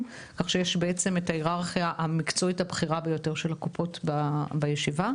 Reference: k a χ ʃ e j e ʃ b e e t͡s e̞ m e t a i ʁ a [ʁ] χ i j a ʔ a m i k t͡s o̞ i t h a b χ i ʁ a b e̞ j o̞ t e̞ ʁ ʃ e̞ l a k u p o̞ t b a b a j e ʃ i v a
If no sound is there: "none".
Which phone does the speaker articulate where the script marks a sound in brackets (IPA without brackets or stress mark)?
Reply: ʁ